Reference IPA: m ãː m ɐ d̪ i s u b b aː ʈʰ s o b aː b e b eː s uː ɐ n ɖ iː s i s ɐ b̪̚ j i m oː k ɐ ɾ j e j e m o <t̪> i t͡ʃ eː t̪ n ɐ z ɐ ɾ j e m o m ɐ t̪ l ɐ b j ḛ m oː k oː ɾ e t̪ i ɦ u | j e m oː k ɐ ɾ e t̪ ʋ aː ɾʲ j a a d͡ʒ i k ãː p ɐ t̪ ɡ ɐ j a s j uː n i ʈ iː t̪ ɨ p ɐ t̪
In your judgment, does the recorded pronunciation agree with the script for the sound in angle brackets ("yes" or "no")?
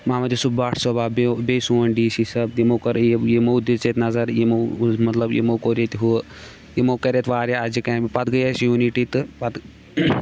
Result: no